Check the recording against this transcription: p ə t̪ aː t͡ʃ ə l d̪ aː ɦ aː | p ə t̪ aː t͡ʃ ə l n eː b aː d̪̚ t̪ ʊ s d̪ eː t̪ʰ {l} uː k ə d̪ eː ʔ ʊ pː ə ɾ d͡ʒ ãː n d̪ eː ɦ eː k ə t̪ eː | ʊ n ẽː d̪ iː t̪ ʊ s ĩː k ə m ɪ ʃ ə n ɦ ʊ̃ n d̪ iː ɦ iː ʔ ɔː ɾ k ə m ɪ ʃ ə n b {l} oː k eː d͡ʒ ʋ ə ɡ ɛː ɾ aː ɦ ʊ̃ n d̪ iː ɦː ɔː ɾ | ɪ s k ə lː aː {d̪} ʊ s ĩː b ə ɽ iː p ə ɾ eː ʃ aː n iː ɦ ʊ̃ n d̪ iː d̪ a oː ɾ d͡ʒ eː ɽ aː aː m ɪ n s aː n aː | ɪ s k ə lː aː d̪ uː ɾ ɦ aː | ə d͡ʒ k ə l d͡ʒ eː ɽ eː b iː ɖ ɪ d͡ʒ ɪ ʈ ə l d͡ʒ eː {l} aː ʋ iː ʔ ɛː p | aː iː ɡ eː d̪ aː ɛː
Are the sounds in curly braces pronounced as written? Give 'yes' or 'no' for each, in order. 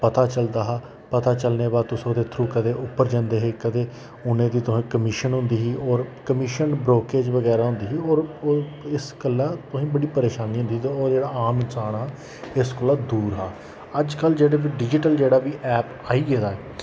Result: no, no, no, no

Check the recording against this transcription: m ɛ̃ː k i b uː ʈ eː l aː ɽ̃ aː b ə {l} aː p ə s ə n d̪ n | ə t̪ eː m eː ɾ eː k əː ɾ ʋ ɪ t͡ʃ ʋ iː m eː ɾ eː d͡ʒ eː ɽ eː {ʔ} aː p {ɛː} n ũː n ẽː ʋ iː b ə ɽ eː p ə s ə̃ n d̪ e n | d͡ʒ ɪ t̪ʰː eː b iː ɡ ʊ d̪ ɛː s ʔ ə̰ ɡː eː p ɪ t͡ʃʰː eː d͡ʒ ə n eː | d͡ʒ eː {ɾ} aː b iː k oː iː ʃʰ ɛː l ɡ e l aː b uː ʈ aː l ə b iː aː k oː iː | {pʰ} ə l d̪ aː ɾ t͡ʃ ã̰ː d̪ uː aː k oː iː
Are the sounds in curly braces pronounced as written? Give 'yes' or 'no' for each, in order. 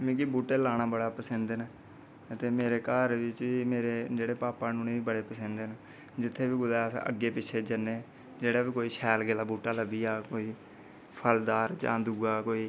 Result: no, no, no, no, yes

